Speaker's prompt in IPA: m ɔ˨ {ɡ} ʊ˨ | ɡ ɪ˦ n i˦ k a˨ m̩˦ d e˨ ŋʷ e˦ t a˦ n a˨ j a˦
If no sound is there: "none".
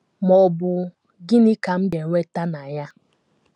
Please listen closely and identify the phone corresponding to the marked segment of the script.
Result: b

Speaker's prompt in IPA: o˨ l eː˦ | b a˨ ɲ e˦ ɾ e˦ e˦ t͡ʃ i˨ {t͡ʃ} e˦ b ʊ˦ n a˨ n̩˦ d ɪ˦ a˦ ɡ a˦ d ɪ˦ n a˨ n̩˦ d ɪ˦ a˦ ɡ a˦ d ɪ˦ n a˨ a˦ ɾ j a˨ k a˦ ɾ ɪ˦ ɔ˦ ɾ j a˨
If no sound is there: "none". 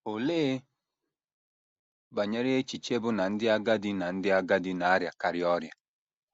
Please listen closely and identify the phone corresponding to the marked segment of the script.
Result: t͡ʃ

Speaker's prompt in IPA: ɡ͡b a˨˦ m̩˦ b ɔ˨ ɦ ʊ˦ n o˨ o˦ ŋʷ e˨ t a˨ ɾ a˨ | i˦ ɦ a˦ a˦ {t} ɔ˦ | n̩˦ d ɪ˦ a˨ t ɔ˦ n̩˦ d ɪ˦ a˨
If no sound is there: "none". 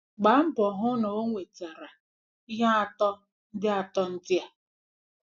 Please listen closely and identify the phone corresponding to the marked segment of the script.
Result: t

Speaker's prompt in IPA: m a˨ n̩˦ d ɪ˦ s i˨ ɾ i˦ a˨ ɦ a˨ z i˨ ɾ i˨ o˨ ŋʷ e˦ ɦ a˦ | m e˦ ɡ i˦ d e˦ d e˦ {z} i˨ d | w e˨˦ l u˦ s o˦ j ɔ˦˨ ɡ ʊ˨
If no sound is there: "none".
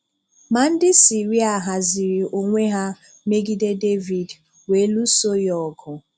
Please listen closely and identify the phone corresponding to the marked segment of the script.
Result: v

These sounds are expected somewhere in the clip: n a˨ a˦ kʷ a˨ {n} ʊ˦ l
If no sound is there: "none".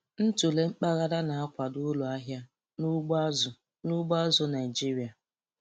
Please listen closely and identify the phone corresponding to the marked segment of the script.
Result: d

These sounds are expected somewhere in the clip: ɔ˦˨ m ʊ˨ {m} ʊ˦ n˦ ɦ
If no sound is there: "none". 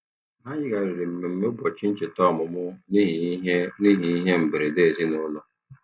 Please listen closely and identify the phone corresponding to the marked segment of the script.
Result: m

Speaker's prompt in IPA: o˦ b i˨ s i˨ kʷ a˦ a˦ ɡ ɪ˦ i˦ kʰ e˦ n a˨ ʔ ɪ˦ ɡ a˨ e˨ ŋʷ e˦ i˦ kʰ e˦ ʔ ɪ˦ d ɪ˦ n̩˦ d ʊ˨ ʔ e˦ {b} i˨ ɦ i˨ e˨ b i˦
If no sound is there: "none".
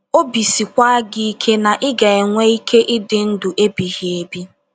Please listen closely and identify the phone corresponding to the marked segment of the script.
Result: b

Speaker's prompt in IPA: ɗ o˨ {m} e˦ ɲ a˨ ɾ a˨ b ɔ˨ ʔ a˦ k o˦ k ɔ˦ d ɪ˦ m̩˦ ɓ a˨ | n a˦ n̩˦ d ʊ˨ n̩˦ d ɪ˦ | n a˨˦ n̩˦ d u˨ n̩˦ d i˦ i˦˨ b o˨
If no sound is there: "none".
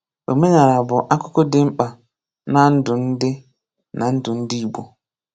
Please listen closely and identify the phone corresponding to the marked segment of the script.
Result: m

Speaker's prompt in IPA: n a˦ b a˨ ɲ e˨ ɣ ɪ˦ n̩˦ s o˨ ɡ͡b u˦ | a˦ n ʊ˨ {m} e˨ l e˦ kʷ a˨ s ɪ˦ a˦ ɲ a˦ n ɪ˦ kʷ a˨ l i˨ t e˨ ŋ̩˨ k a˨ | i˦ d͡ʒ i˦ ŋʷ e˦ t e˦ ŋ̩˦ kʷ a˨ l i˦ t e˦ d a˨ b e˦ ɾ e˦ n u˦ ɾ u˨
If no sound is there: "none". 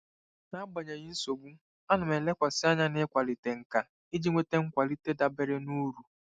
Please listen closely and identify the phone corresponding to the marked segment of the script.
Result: m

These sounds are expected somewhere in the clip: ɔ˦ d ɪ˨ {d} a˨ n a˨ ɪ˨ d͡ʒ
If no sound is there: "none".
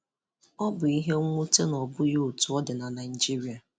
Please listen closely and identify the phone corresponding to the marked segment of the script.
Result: n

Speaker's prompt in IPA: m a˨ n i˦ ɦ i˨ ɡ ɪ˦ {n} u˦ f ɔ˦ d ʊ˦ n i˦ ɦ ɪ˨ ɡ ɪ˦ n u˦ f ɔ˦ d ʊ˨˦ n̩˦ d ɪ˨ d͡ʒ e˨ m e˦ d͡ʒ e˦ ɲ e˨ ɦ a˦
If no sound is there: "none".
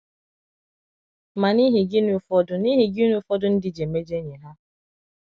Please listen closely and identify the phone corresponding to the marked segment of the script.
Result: n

